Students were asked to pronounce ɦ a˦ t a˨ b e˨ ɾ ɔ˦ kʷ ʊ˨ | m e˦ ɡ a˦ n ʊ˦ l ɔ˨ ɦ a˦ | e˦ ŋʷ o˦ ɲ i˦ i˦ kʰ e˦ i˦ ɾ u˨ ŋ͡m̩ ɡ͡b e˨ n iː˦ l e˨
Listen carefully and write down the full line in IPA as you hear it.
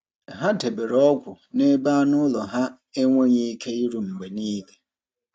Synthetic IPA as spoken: ɦ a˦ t e˨ b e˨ ɾ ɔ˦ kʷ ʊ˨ | n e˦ b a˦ n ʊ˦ l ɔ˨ ɦ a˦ | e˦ ŋʷ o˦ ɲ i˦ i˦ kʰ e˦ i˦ ɾ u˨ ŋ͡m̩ ɡ͡b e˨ n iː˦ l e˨